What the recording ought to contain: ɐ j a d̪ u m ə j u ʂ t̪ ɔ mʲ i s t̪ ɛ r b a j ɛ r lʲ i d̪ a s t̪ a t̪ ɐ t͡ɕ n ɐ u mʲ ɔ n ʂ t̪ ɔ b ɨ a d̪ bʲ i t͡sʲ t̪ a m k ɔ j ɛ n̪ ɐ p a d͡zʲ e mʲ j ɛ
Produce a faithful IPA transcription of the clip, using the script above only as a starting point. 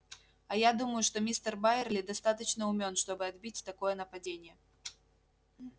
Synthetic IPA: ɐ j a d̪ u m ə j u ʂ t̪ ɔ mʲ i s t̪ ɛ r b a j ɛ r lʲ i d̪ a s t̪ a t̪ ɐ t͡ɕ n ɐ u mʲ ɔ n ʂ t̪ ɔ b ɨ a d̪ bʲ i t͡sʲ t̪ a k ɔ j ɛ n̪ ɐ p a d͡zʲ e nʲ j ɛ